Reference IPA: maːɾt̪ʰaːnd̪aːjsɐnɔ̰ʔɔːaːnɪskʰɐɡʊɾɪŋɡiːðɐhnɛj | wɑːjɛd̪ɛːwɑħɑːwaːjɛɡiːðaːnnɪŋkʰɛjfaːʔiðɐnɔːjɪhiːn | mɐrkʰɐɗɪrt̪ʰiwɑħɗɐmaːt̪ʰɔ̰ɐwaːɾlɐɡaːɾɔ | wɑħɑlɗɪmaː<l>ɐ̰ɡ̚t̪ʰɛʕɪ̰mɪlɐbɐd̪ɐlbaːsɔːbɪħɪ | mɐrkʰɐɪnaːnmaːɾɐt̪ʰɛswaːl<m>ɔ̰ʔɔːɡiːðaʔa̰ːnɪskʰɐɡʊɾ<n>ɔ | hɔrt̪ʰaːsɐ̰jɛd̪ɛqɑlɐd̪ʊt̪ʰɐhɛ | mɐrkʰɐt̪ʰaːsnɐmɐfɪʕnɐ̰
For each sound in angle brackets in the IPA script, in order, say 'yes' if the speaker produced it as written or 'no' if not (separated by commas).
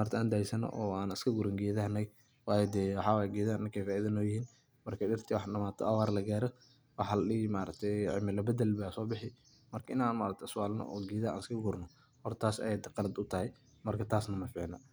no, no, yes